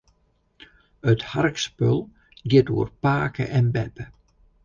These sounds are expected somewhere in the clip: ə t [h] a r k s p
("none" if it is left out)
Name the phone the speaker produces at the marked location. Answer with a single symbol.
h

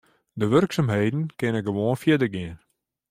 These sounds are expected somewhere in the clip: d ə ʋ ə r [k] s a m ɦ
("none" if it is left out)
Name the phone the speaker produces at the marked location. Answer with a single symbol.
k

